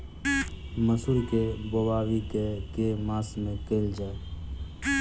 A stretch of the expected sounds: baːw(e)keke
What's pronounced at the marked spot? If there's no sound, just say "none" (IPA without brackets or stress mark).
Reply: i